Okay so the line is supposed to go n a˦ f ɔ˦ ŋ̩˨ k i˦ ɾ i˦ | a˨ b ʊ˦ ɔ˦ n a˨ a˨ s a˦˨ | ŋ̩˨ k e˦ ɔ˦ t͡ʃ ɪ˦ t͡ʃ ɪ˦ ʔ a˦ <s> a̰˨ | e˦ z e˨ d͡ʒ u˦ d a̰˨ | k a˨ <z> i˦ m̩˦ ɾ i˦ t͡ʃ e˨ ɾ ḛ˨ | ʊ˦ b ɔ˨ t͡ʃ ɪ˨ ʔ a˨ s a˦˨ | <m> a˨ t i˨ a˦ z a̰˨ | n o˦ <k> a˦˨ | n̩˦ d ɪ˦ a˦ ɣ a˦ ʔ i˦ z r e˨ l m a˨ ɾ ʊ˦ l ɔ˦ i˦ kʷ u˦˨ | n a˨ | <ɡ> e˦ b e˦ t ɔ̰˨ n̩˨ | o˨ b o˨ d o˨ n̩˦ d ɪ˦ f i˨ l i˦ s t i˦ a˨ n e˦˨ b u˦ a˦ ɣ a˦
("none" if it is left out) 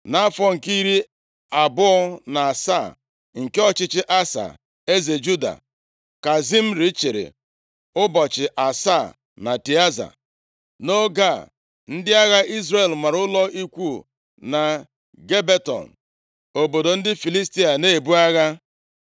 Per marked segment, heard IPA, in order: s, z, n, ɡ, ɡ

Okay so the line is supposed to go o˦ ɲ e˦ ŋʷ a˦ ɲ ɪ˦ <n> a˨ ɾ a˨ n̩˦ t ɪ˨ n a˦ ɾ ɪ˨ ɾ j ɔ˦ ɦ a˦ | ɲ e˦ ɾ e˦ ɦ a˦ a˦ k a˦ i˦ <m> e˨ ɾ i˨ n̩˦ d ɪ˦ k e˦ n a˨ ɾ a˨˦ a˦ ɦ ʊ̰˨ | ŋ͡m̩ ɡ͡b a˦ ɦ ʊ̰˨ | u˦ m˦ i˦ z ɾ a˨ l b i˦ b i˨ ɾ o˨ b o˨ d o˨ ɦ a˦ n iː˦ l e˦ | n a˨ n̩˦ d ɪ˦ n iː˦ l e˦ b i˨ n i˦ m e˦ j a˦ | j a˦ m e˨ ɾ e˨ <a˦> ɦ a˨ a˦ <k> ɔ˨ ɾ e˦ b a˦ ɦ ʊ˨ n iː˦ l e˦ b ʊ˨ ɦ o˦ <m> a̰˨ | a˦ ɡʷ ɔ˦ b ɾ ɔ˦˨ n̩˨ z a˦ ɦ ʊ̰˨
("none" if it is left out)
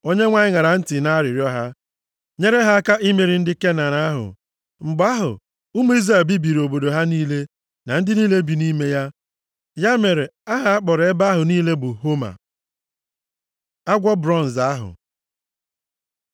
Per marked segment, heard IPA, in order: ŋ, m, a˦, k͡p, m

